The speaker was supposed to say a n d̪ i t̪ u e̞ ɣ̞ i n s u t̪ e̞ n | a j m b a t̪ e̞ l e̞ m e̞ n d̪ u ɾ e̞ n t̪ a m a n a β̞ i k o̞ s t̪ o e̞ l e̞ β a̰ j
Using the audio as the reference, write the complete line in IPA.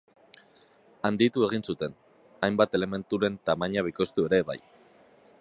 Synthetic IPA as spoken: a n d̪ i t̪ u e̞ ɣ̞ i n s u t̪ e̞ n | a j m b a t̪ e̞ l e̞ m e̞ n t̪ u ɾ e̞ n t̪ a m a ɲ a β̞ i k o̞ s t̪ u e̞ ɾ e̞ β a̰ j